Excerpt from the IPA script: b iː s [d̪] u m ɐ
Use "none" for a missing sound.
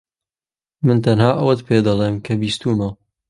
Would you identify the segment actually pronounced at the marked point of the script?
t̪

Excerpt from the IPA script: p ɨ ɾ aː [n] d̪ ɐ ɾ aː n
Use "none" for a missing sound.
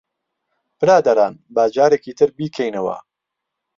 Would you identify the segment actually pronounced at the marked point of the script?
none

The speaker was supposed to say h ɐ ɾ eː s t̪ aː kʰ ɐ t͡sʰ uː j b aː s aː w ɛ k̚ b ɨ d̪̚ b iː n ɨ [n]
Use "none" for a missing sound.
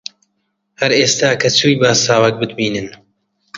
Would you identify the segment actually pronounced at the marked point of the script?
n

